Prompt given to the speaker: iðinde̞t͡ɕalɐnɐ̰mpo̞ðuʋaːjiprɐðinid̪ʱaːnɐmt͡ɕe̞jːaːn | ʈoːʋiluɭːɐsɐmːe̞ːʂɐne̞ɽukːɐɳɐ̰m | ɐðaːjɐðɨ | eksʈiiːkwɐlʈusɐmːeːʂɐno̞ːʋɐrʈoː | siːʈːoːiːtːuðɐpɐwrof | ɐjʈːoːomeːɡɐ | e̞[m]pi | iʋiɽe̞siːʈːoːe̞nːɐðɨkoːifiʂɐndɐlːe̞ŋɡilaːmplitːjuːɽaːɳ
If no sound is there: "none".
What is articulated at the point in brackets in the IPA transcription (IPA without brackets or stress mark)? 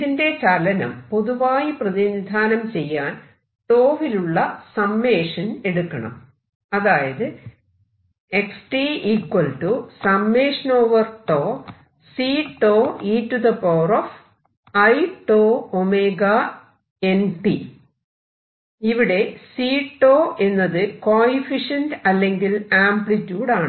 n